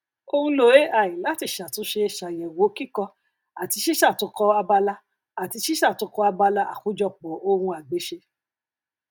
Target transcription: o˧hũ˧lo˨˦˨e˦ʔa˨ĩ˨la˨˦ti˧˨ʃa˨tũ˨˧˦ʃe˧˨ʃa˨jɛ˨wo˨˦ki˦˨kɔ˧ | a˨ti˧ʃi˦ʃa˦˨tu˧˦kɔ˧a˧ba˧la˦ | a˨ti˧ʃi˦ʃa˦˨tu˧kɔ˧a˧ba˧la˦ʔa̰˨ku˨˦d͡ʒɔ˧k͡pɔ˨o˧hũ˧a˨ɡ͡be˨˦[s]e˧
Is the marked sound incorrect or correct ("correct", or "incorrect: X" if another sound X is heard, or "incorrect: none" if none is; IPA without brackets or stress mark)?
incorrect: ʃ